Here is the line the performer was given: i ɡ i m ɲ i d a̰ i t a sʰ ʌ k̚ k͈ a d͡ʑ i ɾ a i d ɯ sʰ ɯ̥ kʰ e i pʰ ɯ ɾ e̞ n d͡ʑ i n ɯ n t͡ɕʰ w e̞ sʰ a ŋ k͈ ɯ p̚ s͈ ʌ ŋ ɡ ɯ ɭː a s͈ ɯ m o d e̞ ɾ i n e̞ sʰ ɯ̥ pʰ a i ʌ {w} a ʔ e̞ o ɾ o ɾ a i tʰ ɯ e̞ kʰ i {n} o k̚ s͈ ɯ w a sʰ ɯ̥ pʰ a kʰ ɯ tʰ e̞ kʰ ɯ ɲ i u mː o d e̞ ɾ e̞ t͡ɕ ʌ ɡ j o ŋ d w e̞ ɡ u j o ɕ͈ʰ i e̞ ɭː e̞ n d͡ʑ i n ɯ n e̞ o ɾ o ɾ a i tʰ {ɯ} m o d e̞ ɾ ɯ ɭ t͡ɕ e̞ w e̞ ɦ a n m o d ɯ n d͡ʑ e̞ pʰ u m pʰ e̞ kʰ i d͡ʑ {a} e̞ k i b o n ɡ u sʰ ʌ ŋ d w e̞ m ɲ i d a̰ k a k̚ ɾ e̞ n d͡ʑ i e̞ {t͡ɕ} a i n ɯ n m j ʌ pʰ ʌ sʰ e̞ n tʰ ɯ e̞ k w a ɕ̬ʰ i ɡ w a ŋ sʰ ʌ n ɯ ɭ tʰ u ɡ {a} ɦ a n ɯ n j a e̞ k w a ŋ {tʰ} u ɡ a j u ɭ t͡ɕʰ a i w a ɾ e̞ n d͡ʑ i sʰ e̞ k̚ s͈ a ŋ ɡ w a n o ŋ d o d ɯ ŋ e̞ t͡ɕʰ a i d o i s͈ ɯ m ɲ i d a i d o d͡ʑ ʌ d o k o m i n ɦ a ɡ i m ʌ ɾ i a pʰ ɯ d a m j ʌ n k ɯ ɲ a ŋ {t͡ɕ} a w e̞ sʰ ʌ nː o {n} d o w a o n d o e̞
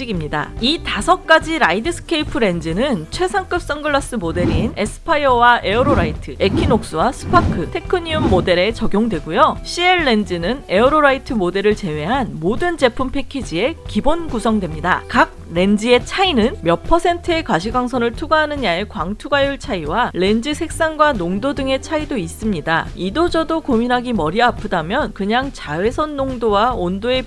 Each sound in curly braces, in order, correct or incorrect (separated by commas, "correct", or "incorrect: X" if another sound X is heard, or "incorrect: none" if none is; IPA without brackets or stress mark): correct, correct, correct, incorrect: i, incorrect: t͡ɕʰ, correct, correct, correct, incorrect: ŋ